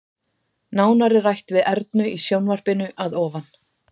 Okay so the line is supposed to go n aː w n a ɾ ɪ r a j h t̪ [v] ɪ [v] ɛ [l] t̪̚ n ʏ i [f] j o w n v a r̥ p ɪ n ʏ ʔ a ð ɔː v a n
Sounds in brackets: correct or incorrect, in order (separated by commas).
correct, incorrect, incorrect, incorrect